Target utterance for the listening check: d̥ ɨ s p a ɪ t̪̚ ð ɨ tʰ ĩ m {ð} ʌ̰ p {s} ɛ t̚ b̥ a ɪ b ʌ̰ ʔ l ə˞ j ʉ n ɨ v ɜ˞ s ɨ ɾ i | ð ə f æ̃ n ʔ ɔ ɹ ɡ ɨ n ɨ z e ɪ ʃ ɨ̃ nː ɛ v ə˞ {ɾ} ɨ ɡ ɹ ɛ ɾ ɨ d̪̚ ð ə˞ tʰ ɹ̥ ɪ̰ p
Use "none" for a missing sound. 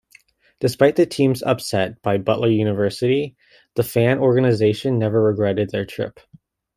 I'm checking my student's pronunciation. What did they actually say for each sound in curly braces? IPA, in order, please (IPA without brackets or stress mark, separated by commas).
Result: z, s, ɹ